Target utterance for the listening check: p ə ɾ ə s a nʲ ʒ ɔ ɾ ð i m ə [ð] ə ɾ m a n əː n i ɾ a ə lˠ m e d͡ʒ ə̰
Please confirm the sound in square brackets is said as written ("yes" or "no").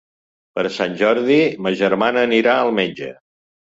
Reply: no